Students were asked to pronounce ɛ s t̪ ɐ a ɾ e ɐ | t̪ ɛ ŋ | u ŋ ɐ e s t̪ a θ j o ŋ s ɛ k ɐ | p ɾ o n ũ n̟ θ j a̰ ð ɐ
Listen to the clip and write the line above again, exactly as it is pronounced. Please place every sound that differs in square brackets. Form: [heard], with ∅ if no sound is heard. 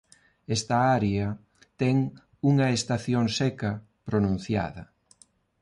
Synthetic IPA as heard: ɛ s t̪ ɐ a ɾ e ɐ | t̪ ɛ ŋ | u ŋ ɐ e s t̪ a θ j o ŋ s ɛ k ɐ | p ɾ o n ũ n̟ θ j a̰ ð ɐ

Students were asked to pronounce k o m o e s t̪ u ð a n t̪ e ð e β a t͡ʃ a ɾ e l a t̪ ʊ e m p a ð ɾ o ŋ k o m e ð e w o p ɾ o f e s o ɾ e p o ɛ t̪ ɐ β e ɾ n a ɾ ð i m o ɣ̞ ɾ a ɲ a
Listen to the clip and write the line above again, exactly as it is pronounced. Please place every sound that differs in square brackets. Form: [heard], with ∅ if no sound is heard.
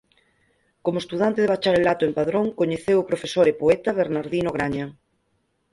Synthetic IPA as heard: k o m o e s t̪ u ð a n t̪ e ð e β a t͡ʃ a ɾ e l a t̪ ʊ e m p a ð ɾ o ŋ k o [ɲ] e [θ] e w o p ɾ o f e s o ɾ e p o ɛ t̪ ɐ β e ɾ n a ɾ ð i [n] o ɣ̞ ɾ a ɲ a

